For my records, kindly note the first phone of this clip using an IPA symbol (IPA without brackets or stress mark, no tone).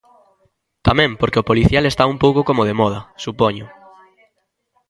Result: t̪